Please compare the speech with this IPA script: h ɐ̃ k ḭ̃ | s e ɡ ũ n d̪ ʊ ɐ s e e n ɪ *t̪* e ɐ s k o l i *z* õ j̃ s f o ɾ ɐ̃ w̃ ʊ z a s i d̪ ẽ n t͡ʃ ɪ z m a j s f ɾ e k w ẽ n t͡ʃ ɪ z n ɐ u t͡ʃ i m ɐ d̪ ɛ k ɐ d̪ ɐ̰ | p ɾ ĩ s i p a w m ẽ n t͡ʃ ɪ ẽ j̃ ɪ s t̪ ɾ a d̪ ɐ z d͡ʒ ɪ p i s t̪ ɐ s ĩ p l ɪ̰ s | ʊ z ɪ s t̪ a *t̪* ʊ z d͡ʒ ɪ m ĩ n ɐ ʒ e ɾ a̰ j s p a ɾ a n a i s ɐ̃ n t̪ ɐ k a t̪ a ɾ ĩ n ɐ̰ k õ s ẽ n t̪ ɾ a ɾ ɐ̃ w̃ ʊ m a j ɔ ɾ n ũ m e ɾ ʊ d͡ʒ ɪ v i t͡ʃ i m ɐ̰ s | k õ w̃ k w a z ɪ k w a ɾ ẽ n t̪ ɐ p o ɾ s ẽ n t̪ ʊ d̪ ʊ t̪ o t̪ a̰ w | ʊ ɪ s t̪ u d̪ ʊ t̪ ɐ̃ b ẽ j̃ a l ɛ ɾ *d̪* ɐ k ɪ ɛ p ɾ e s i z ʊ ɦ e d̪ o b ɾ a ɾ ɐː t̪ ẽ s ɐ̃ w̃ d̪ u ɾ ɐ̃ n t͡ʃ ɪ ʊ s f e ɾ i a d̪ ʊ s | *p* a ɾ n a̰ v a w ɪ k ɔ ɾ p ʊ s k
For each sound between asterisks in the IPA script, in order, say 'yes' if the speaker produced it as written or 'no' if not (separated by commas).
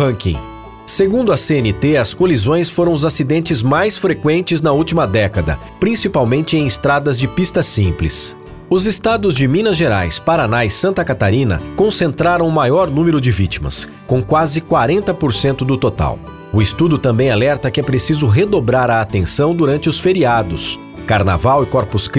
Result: yes, yes, no, no, no